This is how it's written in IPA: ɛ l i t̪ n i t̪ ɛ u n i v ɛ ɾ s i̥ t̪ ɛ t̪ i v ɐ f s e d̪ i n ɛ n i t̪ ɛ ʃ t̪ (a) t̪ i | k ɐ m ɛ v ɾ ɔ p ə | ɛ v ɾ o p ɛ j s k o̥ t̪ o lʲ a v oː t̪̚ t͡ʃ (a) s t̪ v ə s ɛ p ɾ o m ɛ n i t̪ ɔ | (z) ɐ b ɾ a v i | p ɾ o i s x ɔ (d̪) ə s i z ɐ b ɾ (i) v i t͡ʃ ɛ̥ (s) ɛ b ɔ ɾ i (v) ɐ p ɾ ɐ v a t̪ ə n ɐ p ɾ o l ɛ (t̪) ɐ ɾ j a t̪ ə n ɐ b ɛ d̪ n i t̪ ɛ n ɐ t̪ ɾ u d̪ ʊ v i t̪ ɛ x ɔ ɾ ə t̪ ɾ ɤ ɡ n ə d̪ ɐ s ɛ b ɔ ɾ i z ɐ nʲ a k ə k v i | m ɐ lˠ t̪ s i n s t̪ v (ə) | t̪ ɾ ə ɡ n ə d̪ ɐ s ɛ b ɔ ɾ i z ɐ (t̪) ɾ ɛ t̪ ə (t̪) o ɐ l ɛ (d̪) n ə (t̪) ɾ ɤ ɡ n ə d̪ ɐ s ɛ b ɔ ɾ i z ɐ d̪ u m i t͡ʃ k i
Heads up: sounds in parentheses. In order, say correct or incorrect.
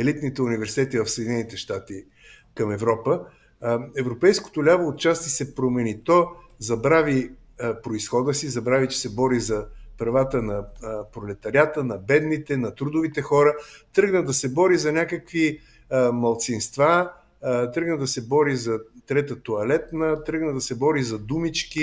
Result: correct, correct, correct, correct, incorrect: a, correct, incorrect: z, correct, incorrect: a, correct, correct, incorrect: t̪, correct

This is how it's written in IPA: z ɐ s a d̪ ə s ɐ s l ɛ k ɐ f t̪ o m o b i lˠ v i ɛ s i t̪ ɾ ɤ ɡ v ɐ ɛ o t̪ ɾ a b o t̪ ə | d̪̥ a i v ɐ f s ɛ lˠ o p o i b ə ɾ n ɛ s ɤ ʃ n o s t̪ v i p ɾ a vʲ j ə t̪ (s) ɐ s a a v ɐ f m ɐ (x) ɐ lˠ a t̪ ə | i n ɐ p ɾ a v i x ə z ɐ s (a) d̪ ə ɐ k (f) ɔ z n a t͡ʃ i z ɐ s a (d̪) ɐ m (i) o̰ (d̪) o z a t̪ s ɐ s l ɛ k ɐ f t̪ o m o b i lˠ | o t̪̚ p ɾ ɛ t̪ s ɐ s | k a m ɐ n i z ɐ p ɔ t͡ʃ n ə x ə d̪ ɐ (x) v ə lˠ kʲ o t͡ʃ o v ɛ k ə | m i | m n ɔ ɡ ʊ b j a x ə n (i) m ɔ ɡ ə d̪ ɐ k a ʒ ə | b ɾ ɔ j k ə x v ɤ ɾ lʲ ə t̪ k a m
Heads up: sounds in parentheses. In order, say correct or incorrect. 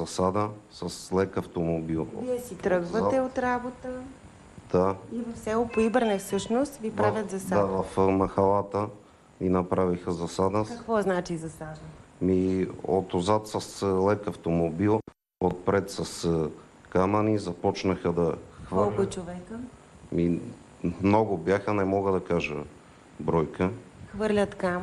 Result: incorrect: z, correct, correct, incorrect: v, correct, correct, incorrect: t̪, correct, incorrect: ɛ

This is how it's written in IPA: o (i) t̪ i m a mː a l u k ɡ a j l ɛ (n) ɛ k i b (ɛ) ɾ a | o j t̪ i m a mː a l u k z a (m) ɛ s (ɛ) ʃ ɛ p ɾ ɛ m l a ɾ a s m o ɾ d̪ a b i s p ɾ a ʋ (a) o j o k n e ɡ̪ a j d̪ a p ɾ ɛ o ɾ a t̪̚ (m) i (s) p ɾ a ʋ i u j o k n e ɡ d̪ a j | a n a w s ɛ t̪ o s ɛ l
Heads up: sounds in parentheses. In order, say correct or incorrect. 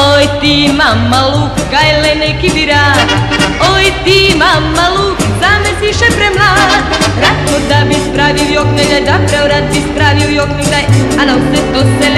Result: incorrect: j, correct, incorrect: i, correct, incorrect: i, incorrect: i, incorrect: b, correct

